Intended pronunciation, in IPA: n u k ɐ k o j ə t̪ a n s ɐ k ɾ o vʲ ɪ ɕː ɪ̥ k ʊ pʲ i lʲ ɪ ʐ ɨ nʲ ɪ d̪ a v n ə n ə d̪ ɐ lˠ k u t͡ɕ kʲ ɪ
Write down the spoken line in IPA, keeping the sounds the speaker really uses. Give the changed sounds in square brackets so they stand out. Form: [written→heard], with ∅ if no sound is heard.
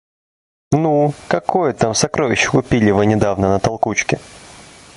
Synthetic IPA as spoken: n u k ɐ k o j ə t̪ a [n→m] s ɐ k ɾ o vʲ ɪ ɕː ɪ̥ k ʊ pʲ i lʲ ɪ [ʐ→v] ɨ nʲ ɪ d̪ a v n ə n ə [d̪→t̪] ɐ lˠ k u t͡ɕ kʲ ɪ